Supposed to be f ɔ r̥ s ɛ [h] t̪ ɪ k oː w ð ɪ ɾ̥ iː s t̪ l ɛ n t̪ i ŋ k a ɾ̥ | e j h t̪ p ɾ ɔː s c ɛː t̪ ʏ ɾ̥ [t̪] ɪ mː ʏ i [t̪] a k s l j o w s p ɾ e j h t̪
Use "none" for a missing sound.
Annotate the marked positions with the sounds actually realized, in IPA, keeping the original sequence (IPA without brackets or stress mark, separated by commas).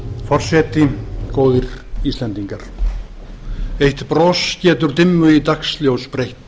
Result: none, t̪, t̪